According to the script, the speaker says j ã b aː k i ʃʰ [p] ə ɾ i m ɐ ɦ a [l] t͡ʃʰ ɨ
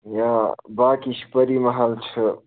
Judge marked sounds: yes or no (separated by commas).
yes, yes